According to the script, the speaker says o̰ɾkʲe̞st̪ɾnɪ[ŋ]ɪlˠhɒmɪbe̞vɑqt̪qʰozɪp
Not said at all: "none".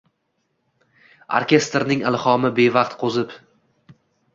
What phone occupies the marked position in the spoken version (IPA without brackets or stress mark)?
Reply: ŋ